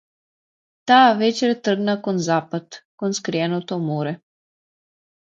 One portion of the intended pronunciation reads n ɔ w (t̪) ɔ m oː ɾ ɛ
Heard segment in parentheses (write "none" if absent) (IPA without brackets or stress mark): t̪